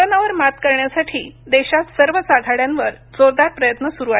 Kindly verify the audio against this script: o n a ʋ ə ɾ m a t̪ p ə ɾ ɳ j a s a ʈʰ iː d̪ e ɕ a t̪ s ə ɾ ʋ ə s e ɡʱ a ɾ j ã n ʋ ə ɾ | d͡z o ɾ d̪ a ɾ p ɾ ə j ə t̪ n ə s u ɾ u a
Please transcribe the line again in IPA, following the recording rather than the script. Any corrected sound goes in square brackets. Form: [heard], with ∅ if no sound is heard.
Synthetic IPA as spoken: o n a ʋ ə ɾ m a t̪ [k] ə ɾ ɳ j a s a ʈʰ iː d̪ e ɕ a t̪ s ə ɾ ʋ ə s [a] ɡʱ a [ɽ] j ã n ʋ ə ɾ | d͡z o ɾ d̪ a ɾ p ɾ ə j ə t̪ n ə s u ɾ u a